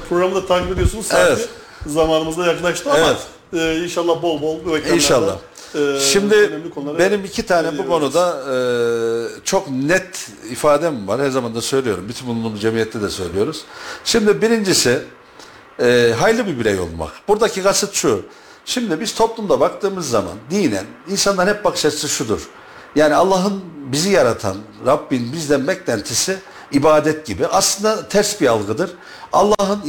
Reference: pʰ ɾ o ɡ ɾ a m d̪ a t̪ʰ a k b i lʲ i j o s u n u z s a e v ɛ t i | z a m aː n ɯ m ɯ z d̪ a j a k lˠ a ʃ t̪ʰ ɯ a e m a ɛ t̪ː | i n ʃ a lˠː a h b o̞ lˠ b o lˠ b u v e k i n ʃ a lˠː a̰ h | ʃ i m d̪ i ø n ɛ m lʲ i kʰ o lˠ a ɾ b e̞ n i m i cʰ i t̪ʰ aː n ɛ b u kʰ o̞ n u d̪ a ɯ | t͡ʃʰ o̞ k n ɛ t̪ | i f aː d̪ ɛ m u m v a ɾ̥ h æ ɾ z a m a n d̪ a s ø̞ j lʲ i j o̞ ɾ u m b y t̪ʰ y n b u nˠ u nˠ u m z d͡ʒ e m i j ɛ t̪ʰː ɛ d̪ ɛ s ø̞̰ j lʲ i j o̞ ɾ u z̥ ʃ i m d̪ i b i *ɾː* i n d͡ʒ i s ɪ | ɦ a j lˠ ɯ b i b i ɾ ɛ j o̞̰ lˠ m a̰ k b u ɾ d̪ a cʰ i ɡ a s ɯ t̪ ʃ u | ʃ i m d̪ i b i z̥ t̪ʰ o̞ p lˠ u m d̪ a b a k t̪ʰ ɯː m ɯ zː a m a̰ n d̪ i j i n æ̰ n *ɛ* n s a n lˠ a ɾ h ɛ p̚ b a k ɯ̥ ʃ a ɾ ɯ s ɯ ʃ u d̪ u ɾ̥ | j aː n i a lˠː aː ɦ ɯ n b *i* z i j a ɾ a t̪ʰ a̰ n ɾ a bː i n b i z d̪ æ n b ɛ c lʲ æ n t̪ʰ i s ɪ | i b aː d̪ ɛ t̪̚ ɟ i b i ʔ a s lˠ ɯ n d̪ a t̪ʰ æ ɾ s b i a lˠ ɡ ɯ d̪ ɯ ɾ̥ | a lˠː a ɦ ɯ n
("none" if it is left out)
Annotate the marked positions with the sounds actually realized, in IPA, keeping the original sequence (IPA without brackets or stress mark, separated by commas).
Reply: ɾ, i, i